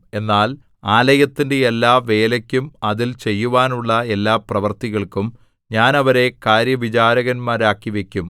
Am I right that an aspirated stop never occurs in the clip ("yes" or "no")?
yes